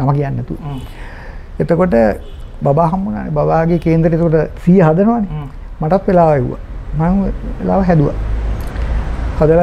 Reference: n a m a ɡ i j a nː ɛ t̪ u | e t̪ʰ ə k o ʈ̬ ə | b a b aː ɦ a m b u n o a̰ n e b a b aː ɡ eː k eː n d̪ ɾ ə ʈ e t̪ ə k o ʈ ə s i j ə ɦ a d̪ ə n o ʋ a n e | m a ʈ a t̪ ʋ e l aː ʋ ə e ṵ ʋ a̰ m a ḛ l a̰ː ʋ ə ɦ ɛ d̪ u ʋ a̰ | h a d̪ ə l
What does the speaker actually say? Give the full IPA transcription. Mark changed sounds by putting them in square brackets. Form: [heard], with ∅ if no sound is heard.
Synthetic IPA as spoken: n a m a [k] i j a nː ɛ t̪ u | e [t̪] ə k o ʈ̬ ə | b a b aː ɦ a m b u n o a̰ n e b a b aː ɡ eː k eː n d̪ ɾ ə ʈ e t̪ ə k o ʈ ə s i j ə ɦ a d̪ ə n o ʋ a n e | m a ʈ a t̪ ʋ e l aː ʋ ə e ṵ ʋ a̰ m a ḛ l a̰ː ʋ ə ɦ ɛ d̪ u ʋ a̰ | h a d̪ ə l